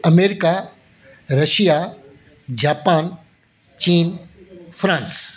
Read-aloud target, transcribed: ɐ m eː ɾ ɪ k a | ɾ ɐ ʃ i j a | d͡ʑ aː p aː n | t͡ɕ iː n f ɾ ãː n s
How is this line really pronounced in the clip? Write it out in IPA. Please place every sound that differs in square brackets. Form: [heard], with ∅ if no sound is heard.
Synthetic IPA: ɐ m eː ɾ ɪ k a | ɾ ɐ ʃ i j a | d͡ʑ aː p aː n | t͡ɕ iː n f ɾ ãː n s